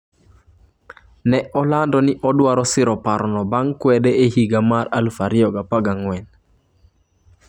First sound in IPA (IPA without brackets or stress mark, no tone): n